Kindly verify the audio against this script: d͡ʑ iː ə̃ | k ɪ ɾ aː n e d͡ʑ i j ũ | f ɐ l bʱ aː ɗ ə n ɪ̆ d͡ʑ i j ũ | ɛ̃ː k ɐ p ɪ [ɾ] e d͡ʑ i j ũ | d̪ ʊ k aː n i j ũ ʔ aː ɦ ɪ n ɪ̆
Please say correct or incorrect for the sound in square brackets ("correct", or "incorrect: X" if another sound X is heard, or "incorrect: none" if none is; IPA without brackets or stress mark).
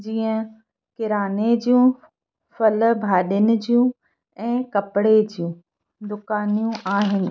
incorrect: ɽ